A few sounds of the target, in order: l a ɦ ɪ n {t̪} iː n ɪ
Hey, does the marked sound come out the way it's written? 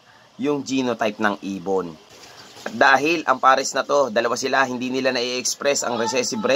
no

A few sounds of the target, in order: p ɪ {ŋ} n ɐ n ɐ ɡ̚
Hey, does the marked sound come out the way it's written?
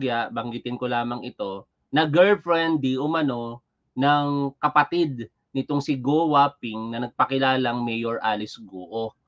yes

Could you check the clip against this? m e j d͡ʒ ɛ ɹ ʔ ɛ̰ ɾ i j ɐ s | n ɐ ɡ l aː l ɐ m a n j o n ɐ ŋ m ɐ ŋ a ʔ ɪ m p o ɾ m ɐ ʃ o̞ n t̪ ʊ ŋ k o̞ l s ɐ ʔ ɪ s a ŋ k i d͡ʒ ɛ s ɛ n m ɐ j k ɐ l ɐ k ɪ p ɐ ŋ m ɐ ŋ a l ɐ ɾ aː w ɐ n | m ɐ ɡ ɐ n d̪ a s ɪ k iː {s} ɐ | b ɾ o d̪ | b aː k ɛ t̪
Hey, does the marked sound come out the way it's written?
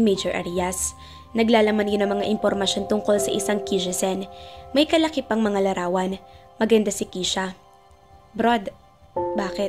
no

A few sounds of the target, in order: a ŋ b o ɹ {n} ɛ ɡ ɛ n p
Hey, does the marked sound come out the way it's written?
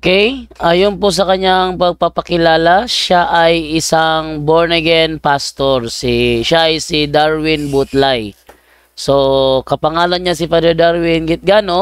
yes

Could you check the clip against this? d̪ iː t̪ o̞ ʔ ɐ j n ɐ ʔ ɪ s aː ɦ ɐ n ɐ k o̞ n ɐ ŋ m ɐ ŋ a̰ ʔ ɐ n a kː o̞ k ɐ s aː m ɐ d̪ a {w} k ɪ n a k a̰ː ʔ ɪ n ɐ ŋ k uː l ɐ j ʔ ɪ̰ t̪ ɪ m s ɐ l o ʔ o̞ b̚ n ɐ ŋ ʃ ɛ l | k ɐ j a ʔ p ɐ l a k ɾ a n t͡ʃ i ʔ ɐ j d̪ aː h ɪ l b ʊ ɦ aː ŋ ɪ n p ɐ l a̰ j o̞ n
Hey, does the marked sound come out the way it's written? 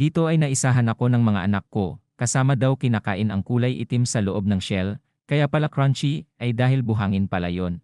yes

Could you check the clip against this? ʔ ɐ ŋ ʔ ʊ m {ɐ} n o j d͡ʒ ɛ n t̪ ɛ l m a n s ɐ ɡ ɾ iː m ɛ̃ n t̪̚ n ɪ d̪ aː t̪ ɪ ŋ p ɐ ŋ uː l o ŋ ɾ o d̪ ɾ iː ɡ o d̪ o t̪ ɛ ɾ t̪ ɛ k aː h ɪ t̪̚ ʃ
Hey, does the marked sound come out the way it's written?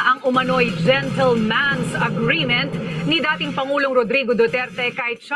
yes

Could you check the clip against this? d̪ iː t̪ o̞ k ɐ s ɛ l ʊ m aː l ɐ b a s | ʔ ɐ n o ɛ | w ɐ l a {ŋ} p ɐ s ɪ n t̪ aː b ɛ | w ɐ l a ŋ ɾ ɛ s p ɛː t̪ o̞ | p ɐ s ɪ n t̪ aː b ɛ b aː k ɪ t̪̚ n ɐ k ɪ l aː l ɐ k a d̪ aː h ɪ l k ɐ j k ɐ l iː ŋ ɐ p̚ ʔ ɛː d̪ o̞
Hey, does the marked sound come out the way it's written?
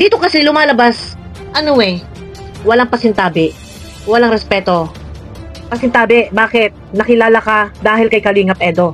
yes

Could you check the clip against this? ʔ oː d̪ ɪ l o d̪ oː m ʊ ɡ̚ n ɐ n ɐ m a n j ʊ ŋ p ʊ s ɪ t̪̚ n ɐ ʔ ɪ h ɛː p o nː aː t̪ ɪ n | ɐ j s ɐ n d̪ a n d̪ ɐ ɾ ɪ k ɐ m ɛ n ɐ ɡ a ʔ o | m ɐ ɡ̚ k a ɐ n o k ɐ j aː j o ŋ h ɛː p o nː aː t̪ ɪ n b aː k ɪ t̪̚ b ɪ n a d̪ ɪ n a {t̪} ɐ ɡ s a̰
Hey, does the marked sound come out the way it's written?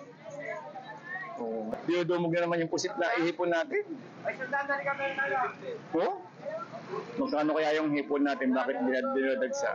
no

